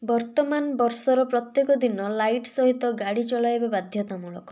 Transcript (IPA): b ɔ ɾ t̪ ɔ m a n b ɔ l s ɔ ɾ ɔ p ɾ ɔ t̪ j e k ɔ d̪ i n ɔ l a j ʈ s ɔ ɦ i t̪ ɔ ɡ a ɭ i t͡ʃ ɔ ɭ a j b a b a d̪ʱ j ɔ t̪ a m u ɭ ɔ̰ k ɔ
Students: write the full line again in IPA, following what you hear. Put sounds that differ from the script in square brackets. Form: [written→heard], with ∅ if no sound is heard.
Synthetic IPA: b ɔ ɾ t̪ ɔ m a n b ɔ [l→ɾ] s ɔ ɾ ɔ p ɾ ɔ t̪ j e k ɔ d̪ i n ɔ l a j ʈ s ɔ ɦ i t̪ ɔ ɡ a [ɭ→ɽ] i t͡ʃ ɔ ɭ a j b a b a d̪ʱ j ɔ t̪ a m u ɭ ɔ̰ k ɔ